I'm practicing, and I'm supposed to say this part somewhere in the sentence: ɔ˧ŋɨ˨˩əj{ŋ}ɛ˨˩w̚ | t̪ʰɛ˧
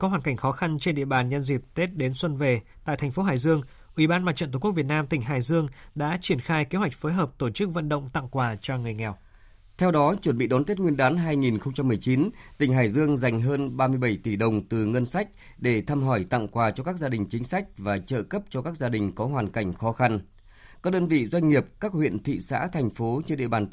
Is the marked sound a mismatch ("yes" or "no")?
no